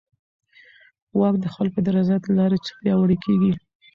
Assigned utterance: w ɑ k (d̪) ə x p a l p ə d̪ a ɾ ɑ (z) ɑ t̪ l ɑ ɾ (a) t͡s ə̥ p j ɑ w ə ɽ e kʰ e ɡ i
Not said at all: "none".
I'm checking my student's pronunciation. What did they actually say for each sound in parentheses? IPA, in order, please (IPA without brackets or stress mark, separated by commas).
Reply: d̪, z, e